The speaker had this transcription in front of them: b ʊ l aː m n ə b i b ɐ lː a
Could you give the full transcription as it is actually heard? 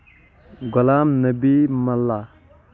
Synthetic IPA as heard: ɡ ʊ l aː m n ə b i m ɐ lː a